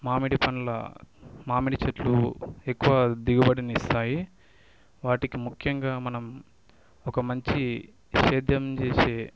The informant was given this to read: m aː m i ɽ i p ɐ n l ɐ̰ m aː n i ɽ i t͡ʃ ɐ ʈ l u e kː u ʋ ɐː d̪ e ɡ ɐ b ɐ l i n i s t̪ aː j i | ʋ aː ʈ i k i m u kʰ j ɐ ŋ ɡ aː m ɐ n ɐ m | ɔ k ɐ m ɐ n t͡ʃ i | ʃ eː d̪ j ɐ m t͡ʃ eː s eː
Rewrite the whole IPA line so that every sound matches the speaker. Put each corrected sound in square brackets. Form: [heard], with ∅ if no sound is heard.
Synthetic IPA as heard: m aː m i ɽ i p ɐ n l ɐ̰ m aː [m] i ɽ i t͡ʃ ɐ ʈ l u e kː u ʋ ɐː d̪ [i] ɡ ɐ b ɐ [ɽ] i n i s t̪ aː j i | ʋ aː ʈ i k i m u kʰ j ɐ ŋ ɡ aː m ɐ n ɐ m | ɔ k ɐ m ɐ [ɲ] t͡ʃ i | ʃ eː d̪ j ɐ m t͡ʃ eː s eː